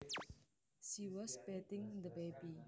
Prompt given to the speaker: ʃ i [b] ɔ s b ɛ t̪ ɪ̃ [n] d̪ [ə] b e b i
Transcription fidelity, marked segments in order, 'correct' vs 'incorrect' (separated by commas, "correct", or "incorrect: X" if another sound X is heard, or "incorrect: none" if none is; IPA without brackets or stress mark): incorrect: w, incorrect: ŋ, correct